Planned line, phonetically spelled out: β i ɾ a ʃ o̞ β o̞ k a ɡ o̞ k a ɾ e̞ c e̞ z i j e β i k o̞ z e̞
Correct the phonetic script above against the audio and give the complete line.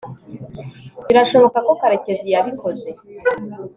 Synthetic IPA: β i ɾ a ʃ o̞ β o̞ k a k o̞ k a ɾ e̞ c e̞ z i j a β i k o̞ z e̞